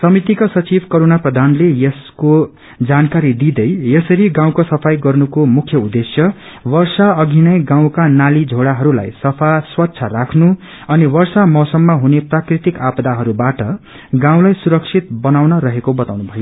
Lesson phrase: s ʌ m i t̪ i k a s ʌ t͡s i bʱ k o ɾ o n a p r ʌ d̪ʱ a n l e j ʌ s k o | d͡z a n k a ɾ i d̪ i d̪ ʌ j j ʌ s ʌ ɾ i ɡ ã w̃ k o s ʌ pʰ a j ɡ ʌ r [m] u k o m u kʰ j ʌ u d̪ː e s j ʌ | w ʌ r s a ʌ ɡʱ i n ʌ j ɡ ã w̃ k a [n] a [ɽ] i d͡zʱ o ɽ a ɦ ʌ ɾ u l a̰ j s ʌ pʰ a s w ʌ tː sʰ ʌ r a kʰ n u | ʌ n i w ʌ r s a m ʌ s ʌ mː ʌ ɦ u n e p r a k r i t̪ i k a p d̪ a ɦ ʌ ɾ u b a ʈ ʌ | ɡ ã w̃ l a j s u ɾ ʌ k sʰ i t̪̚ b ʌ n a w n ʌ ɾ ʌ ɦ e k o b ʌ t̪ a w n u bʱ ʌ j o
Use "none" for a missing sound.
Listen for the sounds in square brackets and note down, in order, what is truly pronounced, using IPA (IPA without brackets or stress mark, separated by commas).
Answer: n, n, l